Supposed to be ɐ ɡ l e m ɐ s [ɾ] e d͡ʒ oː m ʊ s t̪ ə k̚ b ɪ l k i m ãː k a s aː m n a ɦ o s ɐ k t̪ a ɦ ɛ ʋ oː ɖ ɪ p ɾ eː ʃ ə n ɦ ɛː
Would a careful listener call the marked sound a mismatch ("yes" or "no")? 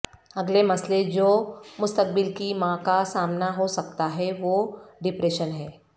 yes